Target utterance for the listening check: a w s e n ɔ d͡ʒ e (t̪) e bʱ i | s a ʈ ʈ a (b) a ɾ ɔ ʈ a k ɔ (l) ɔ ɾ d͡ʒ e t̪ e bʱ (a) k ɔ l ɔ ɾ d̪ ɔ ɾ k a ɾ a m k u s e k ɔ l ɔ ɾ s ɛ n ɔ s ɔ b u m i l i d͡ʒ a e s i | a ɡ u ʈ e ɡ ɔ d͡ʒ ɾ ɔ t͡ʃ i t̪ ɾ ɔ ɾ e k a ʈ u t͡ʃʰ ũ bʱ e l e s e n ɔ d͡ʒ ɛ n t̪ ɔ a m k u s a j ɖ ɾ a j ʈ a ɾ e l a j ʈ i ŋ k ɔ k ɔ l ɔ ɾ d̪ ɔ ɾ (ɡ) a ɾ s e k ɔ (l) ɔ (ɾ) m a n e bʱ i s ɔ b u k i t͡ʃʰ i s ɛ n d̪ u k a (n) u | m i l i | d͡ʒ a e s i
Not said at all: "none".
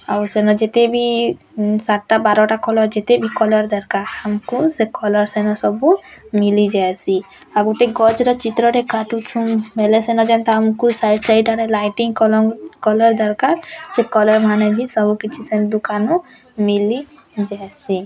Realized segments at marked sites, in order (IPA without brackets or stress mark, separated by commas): t̪, b, l, i, k, l, ɾ, n